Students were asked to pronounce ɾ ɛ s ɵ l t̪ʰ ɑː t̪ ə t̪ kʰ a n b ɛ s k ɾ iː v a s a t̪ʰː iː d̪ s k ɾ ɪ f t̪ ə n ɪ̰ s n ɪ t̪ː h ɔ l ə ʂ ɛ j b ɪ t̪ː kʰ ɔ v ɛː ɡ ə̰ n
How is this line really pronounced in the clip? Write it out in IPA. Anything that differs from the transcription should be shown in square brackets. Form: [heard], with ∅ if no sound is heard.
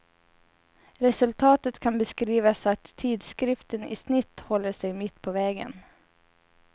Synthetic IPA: ɾ ɛ s ɵ l t̪ʰ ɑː t̪ ə t̪ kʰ a n b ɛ s k ɾ iː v a s a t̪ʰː iː d̪ s k ɾ ɪ f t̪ ə n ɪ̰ s n ɪ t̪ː h ɔ [lː] ə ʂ ɛ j [m] ɪ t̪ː [pʰ] ɔ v ɛː ɡ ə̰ n